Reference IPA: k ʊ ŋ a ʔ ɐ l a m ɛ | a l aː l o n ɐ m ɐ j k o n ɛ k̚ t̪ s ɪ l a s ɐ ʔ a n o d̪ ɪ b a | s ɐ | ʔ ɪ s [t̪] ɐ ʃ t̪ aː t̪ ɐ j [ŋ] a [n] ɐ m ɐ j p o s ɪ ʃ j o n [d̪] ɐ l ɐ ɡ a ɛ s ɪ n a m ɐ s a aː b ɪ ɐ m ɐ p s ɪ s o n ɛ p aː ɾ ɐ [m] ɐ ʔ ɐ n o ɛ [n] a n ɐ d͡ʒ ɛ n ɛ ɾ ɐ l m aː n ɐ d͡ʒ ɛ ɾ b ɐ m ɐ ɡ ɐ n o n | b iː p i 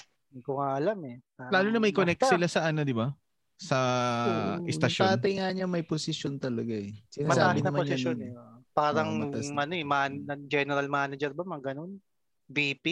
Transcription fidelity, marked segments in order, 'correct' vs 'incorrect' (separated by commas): correct, correct, incorrect, incorrect, incorrect, incorrect